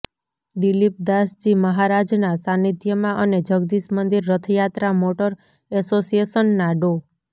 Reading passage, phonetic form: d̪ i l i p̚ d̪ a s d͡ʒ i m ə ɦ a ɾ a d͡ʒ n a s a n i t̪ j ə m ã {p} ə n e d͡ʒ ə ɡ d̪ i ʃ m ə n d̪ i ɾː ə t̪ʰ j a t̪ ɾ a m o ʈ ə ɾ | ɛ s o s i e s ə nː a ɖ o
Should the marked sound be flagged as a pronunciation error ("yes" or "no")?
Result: yes